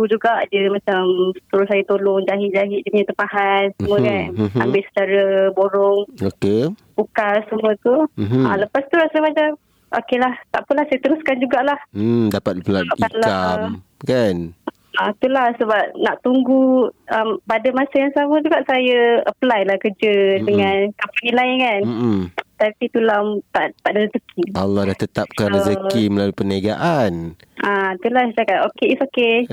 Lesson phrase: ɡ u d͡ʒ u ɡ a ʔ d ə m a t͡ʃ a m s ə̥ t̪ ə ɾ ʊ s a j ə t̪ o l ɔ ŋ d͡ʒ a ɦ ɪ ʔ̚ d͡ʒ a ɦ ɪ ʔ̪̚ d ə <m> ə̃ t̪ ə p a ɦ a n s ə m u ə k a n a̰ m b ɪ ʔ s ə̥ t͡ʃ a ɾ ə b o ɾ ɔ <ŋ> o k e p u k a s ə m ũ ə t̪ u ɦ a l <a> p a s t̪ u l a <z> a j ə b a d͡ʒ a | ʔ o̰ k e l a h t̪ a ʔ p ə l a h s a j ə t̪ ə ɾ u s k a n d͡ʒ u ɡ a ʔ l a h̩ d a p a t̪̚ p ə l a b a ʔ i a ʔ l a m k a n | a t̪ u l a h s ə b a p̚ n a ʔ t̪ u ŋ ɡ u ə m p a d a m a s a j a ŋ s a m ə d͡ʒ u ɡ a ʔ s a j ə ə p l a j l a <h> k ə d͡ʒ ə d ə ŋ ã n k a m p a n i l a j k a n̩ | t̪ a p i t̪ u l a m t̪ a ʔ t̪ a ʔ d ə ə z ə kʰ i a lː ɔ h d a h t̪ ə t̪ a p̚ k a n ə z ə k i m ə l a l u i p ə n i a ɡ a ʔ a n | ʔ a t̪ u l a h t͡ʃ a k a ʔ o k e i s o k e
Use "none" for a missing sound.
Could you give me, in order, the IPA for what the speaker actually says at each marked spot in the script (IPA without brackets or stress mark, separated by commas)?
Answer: ɲ, ŋ, ə, s, h